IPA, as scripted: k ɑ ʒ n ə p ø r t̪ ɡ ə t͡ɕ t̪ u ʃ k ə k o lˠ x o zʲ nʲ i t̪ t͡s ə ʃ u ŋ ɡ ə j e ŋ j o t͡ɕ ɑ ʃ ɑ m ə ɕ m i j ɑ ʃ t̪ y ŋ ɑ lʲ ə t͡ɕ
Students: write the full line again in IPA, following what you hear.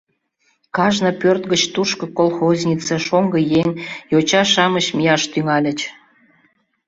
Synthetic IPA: k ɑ ʒ n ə p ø r t̪ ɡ ə t͡ɕ t̪ u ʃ k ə k o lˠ x o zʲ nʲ i t͡s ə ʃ o ŋ ɡ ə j e ŋ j o t͡ɕ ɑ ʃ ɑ m ə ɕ m i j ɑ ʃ t̪ y ŋ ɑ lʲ ə t͡ɕ